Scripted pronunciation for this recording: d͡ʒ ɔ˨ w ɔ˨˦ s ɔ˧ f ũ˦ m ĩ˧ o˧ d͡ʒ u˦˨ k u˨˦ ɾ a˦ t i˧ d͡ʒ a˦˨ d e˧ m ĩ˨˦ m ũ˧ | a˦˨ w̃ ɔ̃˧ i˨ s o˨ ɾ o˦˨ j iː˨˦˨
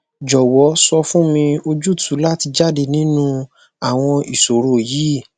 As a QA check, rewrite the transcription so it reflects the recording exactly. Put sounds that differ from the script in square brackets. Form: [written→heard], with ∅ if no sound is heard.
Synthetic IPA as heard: d͡ʒ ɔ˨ w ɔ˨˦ s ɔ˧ f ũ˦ m ĩ˧ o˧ d͡ʒ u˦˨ [k→t] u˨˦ [ɾ→l] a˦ t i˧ d͡ʒ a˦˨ d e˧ [m→n] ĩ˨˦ [m→n] ũ˧ | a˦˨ w̃ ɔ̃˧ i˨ s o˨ ɾ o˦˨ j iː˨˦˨